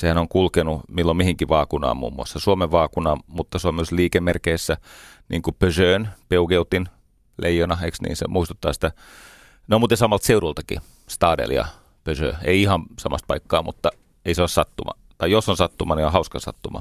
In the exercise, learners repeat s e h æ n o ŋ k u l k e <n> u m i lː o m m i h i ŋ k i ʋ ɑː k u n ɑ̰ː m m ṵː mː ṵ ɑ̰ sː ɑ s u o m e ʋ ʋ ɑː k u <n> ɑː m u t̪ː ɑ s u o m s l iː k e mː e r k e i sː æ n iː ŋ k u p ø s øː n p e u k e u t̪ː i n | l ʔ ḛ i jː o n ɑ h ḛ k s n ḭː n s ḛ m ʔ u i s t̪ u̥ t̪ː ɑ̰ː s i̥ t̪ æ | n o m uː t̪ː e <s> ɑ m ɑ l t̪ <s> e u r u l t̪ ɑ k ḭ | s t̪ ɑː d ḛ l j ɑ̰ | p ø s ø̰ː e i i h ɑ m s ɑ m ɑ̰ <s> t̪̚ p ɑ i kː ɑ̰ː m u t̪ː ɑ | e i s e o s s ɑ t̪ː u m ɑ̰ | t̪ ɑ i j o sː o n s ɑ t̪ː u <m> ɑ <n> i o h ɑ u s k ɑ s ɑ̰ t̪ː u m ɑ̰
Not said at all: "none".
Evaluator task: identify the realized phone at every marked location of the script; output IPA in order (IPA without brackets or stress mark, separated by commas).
n, n, s, s, s, m, n